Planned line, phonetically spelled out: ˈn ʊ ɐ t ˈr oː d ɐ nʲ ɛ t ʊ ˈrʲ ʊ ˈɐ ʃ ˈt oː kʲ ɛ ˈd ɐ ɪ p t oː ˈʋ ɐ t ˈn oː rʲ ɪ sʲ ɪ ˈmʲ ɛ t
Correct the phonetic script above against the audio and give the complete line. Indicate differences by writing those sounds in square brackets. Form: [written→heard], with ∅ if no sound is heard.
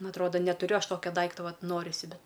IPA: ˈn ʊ ɐ t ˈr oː d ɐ nʲ ɛ t ʊ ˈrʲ ʊ ˈɐ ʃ ˈt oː kʲ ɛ ˈd ɐ ɪ [p→k] t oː ˈʋ ɐ t ˈn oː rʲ ɪ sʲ ɪ [ˈmʲ→ˈbʲ] ɛ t